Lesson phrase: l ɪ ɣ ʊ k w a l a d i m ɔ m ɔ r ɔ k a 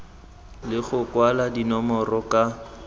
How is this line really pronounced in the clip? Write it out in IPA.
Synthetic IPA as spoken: l ɪ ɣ ʊ k w a l a d i n ɔ m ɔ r ɔ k a